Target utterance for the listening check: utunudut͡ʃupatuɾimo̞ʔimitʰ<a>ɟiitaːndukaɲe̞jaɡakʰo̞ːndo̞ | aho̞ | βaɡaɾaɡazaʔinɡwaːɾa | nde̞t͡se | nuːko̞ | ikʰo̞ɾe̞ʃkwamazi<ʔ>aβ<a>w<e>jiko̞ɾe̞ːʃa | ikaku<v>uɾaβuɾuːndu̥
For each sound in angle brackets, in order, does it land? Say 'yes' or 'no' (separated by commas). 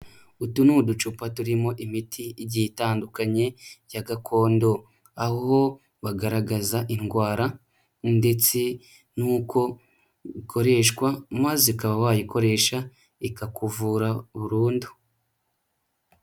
no, no, yes, no, yes